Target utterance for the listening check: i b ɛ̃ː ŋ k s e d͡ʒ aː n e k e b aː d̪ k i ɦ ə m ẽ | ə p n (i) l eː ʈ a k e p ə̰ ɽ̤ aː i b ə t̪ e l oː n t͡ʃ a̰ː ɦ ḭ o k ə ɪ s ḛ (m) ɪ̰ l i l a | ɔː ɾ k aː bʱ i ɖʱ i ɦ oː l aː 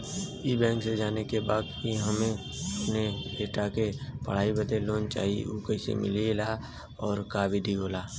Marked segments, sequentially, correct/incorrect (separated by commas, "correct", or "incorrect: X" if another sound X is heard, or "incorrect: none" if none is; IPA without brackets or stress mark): incorrect: e, correct